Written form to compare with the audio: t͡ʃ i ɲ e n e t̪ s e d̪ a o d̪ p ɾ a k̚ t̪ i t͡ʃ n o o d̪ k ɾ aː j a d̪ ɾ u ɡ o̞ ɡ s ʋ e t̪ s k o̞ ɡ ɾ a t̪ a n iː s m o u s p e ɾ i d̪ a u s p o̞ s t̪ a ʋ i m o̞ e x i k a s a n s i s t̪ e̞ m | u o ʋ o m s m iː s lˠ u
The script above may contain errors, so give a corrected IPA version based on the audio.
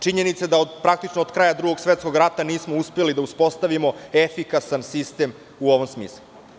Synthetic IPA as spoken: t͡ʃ i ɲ e n i t̪ s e d̪ a o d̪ p ɾ a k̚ t̪ i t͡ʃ n o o d̪ k ɾ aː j a d̪ ɾ u ɡ o̞ ɡ s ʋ e t̪ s k o̞ ɡ ɾ a t̪ a n iː s m o u s p e l i d̪ a u s p o̞ s t̪ a ʋ i m o̞ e f i k a s a n s i s t̪ e̞ m | u o ʋ o m s m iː s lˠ u